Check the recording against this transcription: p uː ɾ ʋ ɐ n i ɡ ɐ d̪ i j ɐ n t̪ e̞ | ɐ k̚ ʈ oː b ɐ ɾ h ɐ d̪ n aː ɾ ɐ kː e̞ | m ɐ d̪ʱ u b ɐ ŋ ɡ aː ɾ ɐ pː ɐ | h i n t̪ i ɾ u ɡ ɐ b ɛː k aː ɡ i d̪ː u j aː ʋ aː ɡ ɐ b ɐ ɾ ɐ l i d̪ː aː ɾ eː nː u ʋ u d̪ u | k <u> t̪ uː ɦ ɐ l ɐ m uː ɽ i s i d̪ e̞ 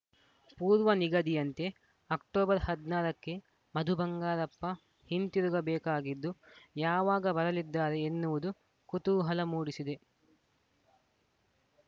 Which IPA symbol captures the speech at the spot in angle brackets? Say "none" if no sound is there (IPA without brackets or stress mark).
u